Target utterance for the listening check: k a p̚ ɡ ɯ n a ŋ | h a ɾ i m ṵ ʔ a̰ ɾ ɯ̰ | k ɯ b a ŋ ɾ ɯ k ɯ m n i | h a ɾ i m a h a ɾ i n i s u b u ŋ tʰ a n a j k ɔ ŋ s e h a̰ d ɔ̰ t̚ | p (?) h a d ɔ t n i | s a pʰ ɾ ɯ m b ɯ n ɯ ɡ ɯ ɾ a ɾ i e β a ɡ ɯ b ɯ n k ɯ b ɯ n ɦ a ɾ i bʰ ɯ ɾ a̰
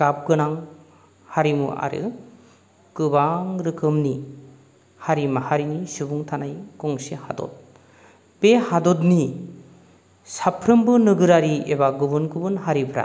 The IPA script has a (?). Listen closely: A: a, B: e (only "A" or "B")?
B